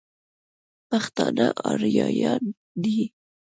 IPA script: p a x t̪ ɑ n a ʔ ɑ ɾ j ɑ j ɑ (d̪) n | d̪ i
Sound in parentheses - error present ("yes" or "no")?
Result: yes